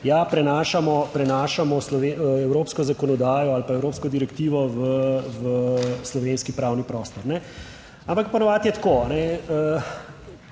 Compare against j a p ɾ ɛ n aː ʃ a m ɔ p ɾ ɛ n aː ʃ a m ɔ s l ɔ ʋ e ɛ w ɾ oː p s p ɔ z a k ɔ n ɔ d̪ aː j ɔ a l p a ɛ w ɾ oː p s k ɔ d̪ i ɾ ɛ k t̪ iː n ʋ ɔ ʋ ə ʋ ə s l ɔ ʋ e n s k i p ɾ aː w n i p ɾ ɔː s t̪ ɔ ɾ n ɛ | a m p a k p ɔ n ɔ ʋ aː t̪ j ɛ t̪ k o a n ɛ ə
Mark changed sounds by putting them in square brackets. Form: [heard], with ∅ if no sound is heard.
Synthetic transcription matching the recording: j a p ɾ ɛ n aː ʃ a m ɔ p ɾ ɛ n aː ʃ a m ɔ s l ɔ ʋ e ɛ w ɾ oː p s [k] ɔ z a k ɔ n ɔ d̪ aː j ɔ a l p a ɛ w ɾ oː p s k ɔ d̪ i ɾ ɛ k t̪ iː [∅] ʋ ɔ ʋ ə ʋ ə s l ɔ ʋ e n s k i p ɾ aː w n i p ɾ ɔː s t̪ ɔ ɾ n ɛ | a m p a k p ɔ n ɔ ʋ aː t̪ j ɛ t̪ k o a n ɛ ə